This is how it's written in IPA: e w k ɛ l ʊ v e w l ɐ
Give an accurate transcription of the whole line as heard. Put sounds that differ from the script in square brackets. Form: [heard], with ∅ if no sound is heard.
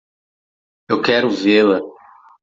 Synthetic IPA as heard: e w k ɛ [ɾ] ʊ v e [∅] l ɐ